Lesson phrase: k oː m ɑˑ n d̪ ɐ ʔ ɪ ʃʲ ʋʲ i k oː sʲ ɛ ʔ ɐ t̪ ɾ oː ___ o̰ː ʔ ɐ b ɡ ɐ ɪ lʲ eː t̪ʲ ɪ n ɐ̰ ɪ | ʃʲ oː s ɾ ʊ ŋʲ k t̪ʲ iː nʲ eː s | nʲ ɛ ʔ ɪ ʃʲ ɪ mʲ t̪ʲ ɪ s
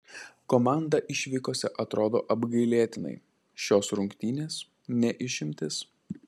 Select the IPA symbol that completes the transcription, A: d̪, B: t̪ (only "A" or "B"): A